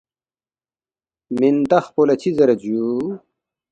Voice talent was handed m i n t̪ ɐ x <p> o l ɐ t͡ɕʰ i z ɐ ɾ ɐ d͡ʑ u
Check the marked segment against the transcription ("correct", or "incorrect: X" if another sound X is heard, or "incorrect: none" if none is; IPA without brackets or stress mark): correct